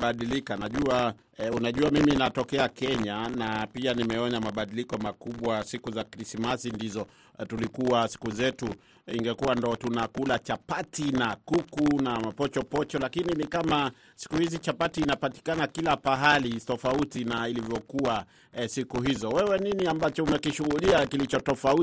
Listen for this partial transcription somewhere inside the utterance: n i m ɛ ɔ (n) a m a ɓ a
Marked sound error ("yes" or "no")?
yes